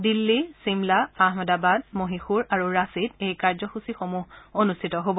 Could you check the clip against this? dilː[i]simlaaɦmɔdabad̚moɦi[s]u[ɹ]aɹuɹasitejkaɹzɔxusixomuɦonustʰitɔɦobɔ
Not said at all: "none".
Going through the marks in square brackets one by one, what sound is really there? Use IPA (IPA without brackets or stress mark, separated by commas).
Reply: i, x, ɹ